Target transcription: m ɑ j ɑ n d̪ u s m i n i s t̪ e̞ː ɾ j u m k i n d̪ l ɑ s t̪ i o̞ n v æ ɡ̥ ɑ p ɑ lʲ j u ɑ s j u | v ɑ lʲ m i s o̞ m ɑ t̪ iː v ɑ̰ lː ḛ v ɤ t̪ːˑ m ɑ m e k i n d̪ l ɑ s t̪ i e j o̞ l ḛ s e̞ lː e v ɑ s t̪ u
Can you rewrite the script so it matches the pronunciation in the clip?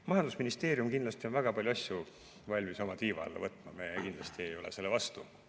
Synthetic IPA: m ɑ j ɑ n d̪ u s m i n i s t̪ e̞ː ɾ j u m k i n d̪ l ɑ s t̪ i o̞ n v æ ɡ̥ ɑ p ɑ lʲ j u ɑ s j u | v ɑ lʲ m i s o̞ m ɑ t̪ iː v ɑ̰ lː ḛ v ɤ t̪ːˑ m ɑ m e k i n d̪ l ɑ s t̪ i e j o̞ l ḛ s e̞ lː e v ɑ s t̪ u

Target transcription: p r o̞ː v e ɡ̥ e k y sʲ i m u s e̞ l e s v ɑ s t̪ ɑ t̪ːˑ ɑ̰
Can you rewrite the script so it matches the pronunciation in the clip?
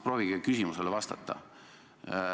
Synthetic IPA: p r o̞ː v i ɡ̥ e k y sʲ i m u s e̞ l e v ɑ s t̪ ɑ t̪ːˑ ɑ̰

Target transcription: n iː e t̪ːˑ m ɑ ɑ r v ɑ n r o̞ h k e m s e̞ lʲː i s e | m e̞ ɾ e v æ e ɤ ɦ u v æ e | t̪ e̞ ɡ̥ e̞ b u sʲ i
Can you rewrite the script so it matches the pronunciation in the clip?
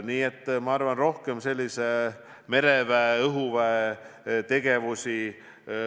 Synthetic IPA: n iː e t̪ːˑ m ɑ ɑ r v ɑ n r o̞ h k e m s e̞ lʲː i s e | m e̞ ɾ e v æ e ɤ ɦ u v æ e | t̪ e̞ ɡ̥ e̞ v u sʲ i

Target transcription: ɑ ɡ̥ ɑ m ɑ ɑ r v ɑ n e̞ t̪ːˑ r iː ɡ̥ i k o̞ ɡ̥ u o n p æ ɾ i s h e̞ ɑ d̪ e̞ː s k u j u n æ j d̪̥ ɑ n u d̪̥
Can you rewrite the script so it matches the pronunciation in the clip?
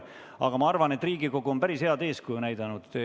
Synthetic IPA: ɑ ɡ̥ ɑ m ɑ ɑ r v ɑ n e̞ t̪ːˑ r iː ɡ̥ i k o̞ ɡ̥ u o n p æ ɾ i s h e̞ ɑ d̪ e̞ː s k u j u n æ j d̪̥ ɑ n u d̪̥

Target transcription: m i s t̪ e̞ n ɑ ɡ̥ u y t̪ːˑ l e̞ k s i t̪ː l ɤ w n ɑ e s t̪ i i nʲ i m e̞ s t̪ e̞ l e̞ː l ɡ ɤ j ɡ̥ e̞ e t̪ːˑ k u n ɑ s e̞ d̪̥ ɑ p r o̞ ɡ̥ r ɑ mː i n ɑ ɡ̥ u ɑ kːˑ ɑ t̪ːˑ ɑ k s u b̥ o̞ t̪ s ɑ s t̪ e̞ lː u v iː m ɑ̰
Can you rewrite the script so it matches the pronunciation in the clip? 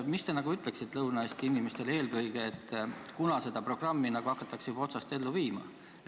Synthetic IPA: m i s t̪ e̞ n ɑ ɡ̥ u y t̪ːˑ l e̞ k s i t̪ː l ɤ w n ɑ e s t̪ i i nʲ i m e̞ s t̪ e̞ l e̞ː l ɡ ɤ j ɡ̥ e̞ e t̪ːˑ k u n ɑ s e̞ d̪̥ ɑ p r o̞ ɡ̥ r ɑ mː i n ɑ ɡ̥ u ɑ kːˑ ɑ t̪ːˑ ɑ k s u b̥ o̞ t̪ s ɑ s t̪ e̞ lː u v iː m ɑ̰

